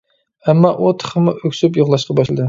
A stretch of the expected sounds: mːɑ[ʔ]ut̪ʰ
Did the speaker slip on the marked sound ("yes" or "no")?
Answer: no